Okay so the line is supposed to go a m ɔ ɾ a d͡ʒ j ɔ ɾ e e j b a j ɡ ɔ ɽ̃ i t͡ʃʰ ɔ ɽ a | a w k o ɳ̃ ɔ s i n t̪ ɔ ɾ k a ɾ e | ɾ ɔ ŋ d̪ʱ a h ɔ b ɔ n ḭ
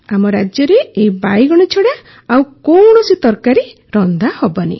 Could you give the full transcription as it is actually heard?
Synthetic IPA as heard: a m ɔ ɾ a d͡ʒ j ɔ ɾ e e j b a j ɡ ɔ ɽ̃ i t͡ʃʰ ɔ ɽ a | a w k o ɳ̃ ɔ s i t̪ ɔ ɾ k a ɾ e | ɾ ɔ n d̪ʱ a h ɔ b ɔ n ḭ